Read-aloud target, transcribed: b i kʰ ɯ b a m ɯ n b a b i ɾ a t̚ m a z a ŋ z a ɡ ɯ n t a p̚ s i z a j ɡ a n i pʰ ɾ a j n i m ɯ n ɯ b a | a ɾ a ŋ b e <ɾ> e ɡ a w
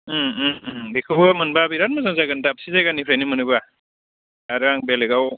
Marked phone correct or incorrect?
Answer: incorrect